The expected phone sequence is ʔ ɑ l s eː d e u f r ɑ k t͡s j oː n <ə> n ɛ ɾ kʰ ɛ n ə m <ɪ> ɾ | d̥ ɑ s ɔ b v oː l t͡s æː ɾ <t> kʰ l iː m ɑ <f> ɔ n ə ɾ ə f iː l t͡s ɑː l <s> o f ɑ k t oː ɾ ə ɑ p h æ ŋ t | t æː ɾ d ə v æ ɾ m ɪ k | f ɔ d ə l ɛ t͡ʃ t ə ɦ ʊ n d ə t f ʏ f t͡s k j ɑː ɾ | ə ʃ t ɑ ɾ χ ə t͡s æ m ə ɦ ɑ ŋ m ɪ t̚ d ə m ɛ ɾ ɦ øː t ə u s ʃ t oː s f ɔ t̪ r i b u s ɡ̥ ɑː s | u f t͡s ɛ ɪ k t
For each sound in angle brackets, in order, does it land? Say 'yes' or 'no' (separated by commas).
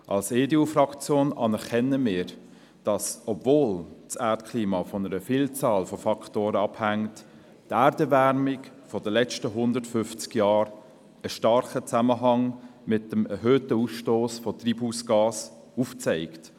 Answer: no, no, yes, yes, no